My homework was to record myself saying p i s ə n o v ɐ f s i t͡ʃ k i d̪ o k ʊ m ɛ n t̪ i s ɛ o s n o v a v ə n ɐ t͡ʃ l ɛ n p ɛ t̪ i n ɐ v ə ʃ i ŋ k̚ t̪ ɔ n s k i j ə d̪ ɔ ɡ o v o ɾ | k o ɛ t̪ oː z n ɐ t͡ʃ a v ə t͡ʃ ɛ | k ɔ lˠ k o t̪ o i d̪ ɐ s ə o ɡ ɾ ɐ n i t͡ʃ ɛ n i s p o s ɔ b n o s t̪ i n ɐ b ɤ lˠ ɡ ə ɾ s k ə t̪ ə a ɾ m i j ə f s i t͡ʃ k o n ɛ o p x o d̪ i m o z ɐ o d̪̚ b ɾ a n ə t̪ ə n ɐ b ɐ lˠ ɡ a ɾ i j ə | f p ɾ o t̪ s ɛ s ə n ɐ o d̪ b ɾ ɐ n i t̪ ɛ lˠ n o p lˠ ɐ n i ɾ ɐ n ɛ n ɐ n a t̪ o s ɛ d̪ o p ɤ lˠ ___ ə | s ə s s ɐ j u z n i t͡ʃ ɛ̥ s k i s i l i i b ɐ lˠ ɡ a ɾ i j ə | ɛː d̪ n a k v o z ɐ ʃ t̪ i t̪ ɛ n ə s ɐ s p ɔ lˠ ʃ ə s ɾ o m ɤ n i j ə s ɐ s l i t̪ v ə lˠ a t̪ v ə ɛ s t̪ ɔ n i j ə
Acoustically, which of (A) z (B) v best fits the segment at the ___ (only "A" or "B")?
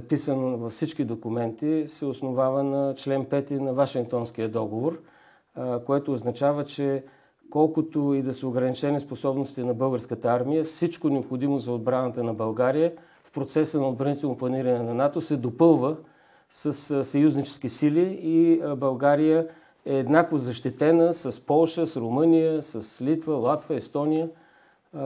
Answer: B